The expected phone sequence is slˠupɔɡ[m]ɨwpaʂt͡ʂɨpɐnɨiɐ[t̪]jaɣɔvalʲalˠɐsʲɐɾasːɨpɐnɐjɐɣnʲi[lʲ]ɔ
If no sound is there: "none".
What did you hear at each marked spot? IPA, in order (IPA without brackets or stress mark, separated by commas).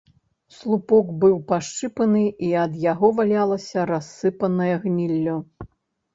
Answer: b, d̪, lʲː